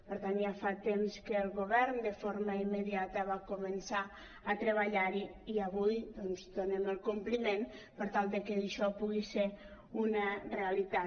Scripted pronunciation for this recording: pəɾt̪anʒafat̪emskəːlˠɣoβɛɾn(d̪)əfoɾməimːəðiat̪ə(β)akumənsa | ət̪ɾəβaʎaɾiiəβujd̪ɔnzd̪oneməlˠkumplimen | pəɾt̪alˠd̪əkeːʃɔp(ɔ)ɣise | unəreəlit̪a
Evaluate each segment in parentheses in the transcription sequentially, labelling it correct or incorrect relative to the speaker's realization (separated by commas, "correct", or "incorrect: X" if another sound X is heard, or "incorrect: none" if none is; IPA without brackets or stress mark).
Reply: correct, correct, incorrect: u